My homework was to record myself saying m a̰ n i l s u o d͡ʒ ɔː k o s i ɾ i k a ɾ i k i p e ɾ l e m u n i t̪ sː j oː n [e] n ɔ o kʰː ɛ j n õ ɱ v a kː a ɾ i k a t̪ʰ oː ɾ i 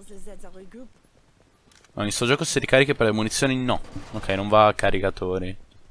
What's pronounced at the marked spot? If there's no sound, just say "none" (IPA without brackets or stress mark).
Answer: i